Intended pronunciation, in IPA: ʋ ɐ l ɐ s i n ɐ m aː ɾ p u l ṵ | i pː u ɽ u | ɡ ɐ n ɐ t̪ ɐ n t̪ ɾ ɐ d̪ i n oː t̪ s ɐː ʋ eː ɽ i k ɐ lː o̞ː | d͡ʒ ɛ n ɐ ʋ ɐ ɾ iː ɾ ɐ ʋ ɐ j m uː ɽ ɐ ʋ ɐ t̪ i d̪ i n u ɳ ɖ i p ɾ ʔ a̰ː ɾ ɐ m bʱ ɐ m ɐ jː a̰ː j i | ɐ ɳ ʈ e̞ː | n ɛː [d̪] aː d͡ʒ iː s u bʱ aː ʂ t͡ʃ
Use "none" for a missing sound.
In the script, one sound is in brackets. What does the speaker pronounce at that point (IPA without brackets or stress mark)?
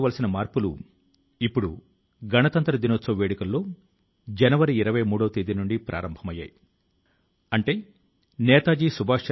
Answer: t̪